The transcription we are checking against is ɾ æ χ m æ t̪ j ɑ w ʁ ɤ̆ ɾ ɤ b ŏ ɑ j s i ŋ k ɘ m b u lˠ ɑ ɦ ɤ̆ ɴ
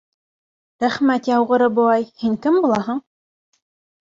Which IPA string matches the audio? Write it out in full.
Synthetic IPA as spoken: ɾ æ χ m æ t̪ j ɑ w ʁ ɤ̆ ɾ ɤ b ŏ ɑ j h i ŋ k ɘ m b u lˠ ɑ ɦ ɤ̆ ɴ